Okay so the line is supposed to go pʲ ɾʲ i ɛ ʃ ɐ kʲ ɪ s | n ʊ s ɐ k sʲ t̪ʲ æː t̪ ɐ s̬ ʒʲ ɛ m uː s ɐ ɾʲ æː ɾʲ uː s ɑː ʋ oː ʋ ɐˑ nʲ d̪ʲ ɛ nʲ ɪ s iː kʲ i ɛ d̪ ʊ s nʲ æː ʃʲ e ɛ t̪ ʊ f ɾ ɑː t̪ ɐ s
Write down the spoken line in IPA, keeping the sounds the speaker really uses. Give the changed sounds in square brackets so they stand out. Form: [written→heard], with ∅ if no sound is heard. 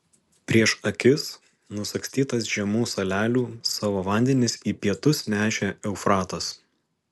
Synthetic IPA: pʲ ɾʲ i ɛ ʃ ɐ kʲ ɪ s | n ʊ s ɐ k sʲ t̪ʲ [æː→iː] t̪ ɐ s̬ ʒʲ ɛ m uː s ɐ [ɾʲ→lʲ] æː [ɾʲ→lʲ] uː s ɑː ʋ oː ʋ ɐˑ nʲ d̪ʲ ɛ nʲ ɪ s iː [kʲ→pʲ] i ɛ [d̪→t̪] ʊ s nʲ æː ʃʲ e ɛ [t̪→∅] ʊ f ɾ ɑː t̪ ɐ s